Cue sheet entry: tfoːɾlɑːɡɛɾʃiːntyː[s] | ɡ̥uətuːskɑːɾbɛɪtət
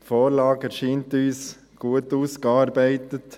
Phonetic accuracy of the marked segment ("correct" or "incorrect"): correct